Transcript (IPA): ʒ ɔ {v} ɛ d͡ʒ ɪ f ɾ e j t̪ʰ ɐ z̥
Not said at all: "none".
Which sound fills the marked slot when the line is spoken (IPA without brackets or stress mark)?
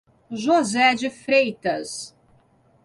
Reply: z